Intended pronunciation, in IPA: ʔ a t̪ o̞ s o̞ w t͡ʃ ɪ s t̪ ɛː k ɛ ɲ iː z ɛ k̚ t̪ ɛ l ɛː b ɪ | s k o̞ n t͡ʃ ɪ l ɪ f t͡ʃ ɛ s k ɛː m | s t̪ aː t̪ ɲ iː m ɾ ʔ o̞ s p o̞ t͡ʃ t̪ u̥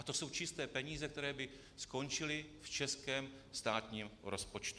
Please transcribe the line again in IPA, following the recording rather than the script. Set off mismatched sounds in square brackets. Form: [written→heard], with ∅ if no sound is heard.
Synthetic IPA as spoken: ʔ a t̪ o̞ s o̞ w t͡ʃ ɪ s t̪ ɛː [k→p] ɛ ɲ iː z ɛ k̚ t̪ ɛ [l→ɾ] ɛː b ɪ | s k o̞ n t͡ʃ ɪ l ɪ f t͡ʃ ɛ s k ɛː m | s t̪ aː t̪ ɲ iː m ɾ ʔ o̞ s p o̞ t͡ʃ t̪ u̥

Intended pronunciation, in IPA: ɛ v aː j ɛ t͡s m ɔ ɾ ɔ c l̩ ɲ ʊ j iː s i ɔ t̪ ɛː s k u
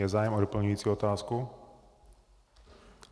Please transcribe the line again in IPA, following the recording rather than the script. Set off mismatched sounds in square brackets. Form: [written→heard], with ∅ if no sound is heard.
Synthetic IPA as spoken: ɛ [v→z] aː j ɛ [t͡s→∅] m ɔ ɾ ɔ [c→p] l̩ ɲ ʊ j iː [s→t͡s] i ɔ t̪ [ɛː→aː] s k u

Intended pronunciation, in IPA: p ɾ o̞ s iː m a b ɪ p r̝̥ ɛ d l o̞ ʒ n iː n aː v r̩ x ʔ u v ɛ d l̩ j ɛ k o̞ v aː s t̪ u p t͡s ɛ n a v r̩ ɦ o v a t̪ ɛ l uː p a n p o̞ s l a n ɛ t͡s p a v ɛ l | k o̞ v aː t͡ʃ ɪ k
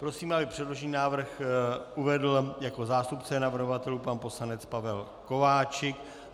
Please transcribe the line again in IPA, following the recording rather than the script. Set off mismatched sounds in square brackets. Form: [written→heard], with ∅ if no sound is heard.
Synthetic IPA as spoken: p ɾ o̞ s iː m a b ɪ p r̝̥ ɛ d l o̞ ʒ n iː n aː v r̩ x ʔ u v ɛ d l̩ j [ɛ→a] k o̞ [v→z] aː s t̪ u p t͡s ɛ n a v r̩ ɦ o v a t̪ ɛ l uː p a n p o̞ s l a n ɛ t͡s p a v ɛ l | k o̞ v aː t͡ʃ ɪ k

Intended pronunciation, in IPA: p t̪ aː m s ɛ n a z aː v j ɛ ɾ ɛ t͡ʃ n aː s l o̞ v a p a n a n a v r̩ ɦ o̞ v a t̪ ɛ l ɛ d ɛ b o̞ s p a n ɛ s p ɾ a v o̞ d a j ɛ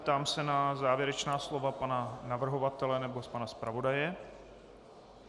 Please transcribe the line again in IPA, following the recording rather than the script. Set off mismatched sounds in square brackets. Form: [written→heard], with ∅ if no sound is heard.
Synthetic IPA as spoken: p t̪ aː m s ɛ n a z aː v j ɛ ɾ ɛ t͡ʃ n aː s l o̞ v a p a n a n a v r̩ ɦ o̞ v a t̪ ɛ l ɛ [d→n] ɛ b o̞ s p a n [ɛ→a] s p ɾ a v o̞ d a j ɛ

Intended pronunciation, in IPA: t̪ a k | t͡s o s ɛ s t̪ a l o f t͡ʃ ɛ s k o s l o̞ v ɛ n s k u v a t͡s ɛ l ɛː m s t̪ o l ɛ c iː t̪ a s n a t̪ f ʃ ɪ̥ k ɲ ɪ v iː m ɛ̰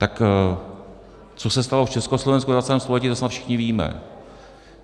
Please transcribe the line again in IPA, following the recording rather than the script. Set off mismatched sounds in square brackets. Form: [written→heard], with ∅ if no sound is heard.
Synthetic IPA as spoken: t̪ a k | t͡s o s ɛ s t̪ a l o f t͡ʃ ɛ s k o s l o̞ v ɛ n s k u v a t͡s ɛ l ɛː m s t̪ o l ɛ c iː t̪ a s n a t̪ f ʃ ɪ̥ [k→x] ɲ ɪ v iː m ɛ̰

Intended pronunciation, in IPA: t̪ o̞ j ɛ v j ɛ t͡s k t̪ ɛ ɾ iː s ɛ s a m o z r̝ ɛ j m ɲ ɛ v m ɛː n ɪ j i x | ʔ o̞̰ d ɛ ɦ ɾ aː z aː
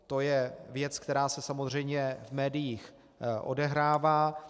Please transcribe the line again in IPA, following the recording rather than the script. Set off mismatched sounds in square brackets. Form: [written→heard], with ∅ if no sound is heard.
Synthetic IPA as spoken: t̪ o̞ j ɛ v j ɛ t͡s k t̪ ɛ ɾ [iː→aː] s ɛ s a m o z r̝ ɛ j m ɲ ɛ v m ɛː [n→d] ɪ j i x | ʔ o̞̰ d ɛ ɦ ɾ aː [z→v] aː

